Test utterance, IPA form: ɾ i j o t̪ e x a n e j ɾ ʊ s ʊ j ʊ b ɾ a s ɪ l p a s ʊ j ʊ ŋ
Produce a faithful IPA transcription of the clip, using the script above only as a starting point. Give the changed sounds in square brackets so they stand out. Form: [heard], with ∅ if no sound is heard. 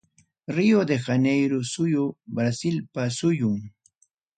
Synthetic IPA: ɾ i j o [d̪] e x a n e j ɾ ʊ s ʊ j ʊ b ɾ a s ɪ l p a s ʊ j ʊ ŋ